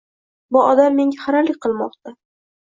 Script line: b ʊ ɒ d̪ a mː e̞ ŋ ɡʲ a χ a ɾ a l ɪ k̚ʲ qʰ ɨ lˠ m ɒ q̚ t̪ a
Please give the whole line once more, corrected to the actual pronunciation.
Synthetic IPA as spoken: b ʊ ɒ d̪ a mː e̞ ŋ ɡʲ a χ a ɾ a l ɪ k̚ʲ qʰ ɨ lˠ m ɒ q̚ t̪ a

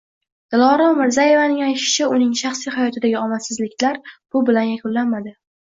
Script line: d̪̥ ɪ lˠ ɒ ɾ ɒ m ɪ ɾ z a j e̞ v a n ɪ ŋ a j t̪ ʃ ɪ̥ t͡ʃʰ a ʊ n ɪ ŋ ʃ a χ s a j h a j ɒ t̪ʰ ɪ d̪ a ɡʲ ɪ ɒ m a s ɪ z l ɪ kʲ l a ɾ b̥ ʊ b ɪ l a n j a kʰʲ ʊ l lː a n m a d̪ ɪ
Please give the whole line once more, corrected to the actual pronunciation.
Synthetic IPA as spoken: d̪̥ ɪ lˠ ɒ ɾ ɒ m ɪ ɾ z a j e̞ v a n ɪ ŋ a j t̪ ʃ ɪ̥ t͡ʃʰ a ʊ n ɪ ŋ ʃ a χ s i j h a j ɒ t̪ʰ ɪ d̪ a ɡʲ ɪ ɒ m a s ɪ z l ɪ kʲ l a ɾ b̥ ʊ b ɪ l a n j a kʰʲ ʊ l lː a n m a d̪ ɪ

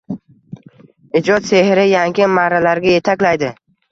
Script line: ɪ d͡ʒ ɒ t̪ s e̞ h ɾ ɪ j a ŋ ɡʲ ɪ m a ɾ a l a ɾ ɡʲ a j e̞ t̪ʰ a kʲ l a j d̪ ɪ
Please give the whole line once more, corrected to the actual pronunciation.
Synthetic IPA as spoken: ɪ d͡ʒ ɒ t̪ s e̞ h ɾ ɪ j a ŋ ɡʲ ɪ m a ɾ a l a ɾ ɡʲ a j e̞ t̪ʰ a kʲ l a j d̪ ɪ

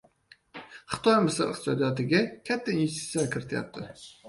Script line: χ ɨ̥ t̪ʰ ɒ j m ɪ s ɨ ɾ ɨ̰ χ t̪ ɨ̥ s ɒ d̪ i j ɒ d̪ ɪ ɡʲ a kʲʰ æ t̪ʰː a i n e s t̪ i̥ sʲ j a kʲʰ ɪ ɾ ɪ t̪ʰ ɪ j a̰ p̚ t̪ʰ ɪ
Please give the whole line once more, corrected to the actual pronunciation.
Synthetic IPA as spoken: χ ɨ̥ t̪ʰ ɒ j m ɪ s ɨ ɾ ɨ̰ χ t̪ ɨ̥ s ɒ d̪ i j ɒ t̪ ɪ ɡʲ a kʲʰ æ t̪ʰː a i n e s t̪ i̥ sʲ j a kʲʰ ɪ ɾ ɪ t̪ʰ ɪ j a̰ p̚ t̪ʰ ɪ

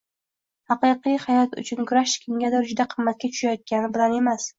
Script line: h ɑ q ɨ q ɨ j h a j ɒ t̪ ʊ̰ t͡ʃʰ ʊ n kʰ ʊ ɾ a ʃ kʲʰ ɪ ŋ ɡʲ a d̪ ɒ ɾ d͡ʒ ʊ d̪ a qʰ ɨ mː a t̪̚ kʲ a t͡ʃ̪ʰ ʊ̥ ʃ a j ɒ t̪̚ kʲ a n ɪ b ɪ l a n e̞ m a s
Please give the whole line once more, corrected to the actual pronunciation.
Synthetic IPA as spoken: h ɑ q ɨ q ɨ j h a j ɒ t̪ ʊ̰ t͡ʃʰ ʊ n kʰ ʊ ɾ a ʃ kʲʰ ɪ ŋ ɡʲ a d̪ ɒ ɾ d͡ʒ ʊ d̪ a qʰ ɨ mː a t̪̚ kʲ a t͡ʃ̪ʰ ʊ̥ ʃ a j ɒ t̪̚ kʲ a n ɪ b ɪ l a n e̞ m a s

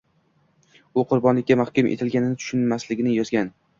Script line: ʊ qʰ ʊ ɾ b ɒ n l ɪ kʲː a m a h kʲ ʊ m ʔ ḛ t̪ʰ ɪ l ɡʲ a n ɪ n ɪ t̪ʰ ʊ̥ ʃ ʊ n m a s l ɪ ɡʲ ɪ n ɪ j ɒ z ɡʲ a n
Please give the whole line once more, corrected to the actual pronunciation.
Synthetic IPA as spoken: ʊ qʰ ʊ ɾ b ɒ n l ɪ kʲː a m a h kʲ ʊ m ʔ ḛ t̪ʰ ɪ l ɡʲ a n ɪ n ɪ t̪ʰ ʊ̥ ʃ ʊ n m a s l ɪ ɡʲ ɪ n ɪ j ɒ z ɡʲ a n

